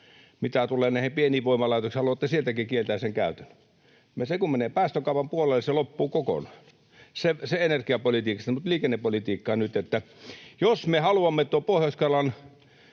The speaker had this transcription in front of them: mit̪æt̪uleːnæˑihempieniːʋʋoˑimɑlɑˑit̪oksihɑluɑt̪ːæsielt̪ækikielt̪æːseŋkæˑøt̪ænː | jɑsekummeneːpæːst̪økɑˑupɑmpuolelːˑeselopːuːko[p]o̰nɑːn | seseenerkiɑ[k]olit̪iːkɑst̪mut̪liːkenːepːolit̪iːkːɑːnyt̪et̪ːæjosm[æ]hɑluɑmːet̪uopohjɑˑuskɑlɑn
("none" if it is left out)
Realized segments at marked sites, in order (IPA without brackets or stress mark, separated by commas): k, p, e